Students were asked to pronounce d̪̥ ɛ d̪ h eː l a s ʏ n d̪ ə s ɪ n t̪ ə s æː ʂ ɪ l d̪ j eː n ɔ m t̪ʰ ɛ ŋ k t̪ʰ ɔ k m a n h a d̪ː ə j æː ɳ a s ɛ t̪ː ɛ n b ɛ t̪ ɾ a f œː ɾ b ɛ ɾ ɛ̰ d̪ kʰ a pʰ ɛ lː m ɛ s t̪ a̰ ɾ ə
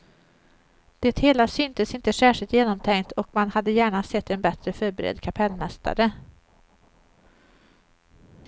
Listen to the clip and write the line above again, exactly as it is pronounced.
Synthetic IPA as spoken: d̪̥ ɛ t̪ h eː l a s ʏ n t̪ ə s ɪ n t̪ ə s æː ʂ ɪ l t̪ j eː n ɔ m t̪ʰ ɛ ŋ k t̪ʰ ɔ k m a n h a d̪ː ə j æː ɳ a s ɛ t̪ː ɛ n b ɛ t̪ ɾ ə f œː ɾ b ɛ ɾ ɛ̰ d̪ kʰ a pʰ ɛ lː m ɛ s t̪ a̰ ɾ ə